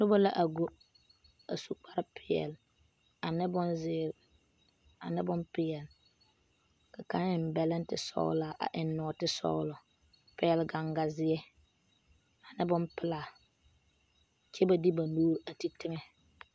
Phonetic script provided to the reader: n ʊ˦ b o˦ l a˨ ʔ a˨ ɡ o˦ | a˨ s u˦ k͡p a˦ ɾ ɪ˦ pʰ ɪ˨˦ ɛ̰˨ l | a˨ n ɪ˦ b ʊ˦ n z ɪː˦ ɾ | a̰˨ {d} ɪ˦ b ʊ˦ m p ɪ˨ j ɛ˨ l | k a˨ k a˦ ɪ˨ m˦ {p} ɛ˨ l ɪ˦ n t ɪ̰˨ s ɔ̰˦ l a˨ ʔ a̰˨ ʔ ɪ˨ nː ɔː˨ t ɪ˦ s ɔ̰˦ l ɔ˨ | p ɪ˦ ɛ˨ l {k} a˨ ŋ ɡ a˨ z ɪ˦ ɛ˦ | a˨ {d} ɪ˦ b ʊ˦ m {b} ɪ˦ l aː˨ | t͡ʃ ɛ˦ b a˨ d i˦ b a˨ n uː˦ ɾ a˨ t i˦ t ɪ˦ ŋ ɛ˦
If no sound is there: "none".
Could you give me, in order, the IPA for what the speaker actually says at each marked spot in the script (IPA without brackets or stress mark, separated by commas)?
n, b, ɡ, n, p